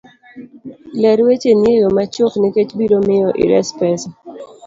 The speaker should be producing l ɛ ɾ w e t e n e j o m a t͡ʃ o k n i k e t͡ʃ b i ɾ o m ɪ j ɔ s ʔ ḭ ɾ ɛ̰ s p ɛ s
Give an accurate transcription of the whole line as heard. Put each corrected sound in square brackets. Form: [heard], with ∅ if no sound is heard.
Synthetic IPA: l ɛ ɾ w e [t͡ʃ] e n e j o m a t͡ʃ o k n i k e t͡ʃ b i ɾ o m ɪ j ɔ [∅] ʔ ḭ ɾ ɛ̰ s p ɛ s